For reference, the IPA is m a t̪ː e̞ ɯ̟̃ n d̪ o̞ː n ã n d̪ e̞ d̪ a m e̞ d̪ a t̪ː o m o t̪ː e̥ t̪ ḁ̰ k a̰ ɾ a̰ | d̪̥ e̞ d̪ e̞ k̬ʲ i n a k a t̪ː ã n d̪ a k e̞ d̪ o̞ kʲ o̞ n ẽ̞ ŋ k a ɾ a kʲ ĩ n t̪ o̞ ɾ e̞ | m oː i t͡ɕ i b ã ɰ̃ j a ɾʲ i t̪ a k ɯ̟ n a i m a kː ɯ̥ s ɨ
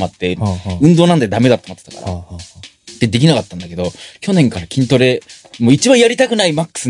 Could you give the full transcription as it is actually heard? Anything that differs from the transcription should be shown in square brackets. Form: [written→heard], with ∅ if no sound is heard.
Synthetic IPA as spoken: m a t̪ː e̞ ɯ̟̃ n d̪ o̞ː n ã n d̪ e̞ d̪ a m e̞ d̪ a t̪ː o m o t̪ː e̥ t̪ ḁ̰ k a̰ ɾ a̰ | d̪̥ e̞ d̪ e̞ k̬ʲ i n a k a t̪ː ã n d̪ a k e̞ d̪ o̞ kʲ o̞ n ẽ̞ ŋ k a ɾ a kʲ ĩ n t̪ o̞ ɾ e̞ | m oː i t͡ɕ i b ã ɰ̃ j a ɾʲ i t̪ a k ɯ̟ n a i m a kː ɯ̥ s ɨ